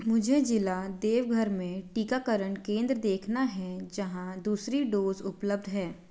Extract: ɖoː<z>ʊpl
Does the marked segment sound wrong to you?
no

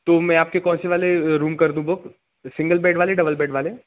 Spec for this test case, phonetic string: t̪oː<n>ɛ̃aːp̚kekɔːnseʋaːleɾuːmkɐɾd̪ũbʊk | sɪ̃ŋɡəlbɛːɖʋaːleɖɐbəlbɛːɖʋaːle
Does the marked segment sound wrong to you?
yes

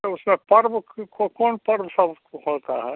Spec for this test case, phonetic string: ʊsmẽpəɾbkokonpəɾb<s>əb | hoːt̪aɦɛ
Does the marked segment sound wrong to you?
no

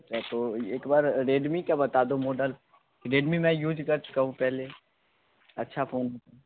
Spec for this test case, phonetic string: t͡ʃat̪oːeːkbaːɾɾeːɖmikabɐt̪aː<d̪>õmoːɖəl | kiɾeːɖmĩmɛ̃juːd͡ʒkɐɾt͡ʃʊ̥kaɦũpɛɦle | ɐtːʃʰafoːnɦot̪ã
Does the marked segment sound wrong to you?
no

